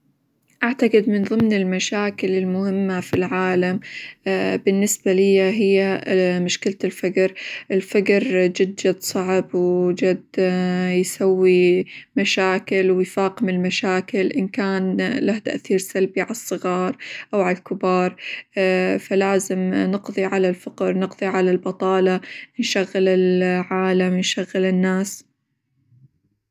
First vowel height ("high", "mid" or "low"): low